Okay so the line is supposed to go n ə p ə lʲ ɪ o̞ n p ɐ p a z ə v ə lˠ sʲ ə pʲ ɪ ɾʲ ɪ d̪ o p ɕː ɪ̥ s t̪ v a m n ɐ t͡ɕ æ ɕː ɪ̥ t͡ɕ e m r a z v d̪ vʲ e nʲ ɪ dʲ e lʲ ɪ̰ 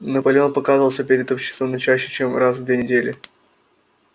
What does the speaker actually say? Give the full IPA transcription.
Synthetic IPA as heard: n ə p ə lʲ ɪ o̞ n p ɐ k a z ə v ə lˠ sʲ ə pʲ ɪ ɾʲ ɪ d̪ o p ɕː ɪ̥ s t̪ v ə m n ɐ t͡ɕ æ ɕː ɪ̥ t͡ɕ e m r a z v d̪ vʲ e nʲ ɪ dʲ e lʲ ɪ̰